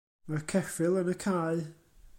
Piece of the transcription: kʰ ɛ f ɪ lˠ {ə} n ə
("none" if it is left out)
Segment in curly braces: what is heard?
ə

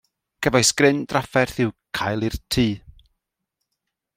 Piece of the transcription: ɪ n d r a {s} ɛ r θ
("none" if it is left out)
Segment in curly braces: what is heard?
f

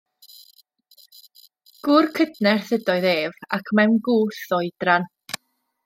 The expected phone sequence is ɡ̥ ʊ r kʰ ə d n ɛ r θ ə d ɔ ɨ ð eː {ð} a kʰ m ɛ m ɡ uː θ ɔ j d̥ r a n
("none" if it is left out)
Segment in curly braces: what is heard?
v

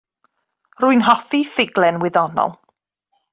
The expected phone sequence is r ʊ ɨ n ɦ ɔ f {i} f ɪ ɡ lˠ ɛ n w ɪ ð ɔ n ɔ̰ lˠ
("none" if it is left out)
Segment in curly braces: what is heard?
i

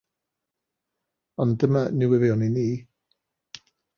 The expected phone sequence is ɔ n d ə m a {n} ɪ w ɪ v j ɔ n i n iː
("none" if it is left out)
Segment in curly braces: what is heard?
n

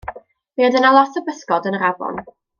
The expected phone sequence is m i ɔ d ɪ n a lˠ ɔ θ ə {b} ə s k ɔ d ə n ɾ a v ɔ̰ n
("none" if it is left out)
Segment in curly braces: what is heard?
b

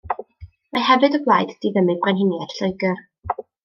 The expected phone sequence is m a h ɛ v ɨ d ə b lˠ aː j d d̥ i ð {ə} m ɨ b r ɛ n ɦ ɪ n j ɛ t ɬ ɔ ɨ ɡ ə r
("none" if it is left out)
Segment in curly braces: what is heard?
ə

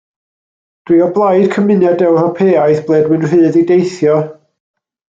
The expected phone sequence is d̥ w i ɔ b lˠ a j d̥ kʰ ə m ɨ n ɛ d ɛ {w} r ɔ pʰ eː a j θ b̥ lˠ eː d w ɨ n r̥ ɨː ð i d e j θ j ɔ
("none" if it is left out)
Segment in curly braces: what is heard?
w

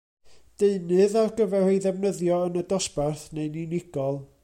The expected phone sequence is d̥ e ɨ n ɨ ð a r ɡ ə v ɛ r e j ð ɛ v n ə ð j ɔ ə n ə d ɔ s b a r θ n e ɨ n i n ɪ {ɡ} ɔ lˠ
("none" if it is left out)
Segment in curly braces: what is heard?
ɡ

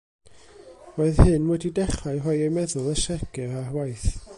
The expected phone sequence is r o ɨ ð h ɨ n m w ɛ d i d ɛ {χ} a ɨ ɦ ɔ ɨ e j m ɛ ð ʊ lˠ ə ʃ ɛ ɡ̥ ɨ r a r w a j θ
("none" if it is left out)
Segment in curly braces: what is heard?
χ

